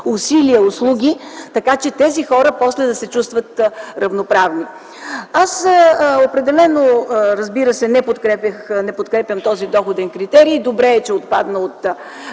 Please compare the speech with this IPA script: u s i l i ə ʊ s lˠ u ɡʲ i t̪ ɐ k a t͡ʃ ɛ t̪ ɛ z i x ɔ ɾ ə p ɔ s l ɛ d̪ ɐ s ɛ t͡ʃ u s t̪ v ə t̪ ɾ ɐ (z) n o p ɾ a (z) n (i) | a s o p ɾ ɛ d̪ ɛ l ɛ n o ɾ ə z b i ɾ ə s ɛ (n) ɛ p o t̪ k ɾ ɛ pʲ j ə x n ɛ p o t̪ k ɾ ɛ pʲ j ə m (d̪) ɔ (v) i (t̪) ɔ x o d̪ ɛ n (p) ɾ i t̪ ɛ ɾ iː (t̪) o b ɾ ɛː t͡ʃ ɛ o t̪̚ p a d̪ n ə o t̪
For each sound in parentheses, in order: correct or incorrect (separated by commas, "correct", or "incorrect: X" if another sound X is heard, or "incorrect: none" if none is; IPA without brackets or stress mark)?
incorrect: v, incorrect: v, correct, correct, incorrect: t̪, incorrect: z, incorrect: d̪, incorrect: k, incorrect: d̪